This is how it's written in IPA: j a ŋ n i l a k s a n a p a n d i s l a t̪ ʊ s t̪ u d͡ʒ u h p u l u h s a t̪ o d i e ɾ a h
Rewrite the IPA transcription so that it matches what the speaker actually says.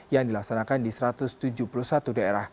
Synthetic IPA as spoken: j a ŋ d i l a k s a n a k a n d i s ɾ a t̪ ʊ s t̪ u d͡ʒ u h p u l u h s a t̪ u d a e ɾ a h